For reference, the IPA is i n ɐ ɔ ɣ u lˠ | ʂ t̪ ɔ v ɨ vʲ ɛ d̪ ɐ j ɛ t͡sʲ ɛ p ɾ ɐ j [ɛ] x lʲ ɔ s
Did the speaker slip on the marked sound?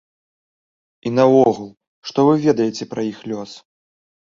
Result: yes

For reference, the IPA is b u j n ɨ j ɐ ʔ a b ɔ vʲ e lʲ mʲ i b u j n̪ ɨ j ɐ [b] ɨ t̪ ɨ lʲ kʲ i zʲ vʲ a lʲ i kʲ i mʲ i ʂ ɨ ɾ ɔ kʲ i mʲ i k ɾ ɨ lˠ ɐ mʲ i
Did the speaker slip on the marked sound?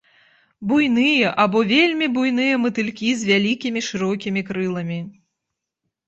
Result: yes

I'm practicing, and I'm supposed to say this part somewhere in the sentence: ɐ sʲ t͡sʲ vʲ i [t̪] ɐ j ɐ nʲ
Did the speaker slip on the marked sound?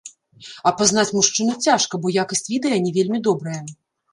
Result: yes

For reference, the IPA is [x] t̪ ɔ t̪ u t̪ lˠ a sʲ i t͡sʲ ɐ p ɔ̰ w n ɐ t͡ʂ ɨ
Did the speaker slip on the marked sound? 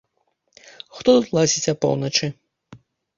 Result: no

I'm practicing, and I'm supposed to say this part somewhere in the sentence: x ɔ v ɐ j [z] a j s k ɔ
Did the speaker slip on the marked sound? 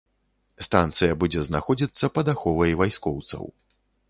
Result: yes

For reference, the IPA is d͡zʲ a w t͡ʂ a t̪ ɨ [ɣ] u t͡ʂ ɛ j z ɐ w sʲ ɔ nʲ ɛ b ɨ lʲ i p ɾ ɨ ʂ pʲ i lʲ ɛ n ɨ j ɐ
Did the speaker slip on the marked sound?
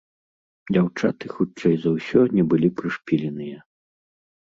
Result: yes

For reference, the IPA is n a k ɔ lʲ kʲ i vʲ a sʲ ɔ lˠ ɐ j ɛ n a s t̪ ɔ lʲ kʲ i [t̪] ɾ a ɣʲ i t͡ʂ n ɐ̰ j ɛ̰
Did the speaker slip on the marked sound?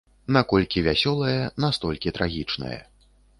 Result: no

